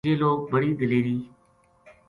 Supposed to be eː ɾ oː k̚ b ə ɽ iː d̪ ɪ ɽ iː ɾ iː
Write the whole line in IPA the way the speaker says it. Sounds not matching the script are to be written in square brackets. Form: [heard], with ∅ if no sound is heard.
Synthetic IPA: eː [l] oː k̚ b ə ɽ iː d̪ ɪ [l] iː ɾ iː